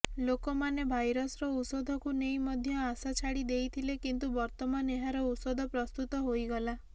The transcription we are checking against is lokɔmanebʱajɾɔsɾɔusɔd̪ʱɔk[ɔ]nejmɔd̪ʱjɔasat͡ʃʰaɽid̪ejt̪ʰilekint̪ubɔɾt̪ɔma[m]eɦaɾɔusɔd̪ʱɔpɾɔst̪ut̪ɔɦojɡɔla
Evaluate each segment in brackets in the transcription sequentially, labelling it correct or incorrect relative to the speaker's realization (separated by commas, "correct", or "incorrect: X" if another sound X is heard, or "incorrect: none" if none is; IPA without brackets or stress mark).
incorrect: u, incorrect: n